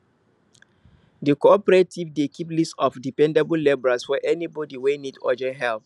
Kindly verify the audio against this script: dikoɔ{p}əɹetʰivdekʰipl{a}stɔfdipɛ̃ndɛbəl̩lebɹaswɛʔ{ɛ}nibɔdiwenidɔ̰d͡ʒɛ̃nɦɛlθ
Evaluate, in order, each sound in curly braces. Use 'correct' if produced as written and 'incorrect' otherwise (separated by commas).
correct, incorrect, correct